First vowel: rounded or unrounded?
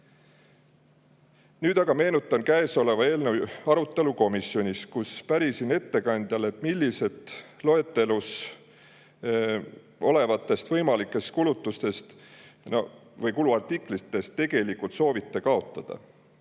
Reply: rounded